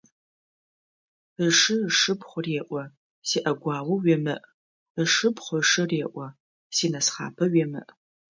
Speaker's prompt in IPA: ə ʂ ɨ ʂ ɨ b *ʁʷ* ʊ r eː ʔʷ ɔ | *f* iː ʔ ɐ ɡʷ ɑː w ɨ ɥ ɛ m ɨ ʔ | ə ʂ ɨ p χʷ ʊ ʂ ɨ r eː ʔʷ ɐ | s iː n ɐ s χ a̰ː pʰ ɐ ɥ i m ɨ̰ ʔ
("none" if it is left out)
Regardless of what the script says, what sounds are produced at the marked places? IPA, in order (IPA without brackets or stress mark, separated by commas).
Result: χʷ, s